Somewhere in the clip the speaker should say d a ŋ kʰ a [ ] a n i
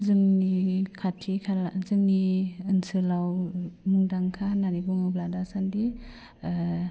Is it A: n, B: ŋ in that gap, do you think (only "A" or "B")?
A